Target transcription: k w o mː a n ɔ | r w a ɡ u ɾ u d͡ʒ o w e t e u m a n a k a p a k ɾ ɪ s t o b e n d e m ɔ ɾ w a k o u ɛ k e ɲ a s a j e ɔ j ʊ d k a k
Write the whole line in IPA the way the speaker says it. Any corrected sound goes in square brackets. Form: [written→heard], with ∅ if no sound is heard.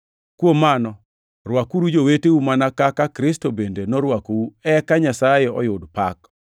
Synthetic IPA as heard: k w o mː a n ɔ | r w a [ɡ→k] u ɾ u d͡ʒ o w e t e u m a n a k a [p→k] a k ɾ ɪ s t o b e n d e [m→n] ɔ ɾ w a k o u ɛ k [e→a] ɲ a s a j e ɔ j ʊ d [k→p] a k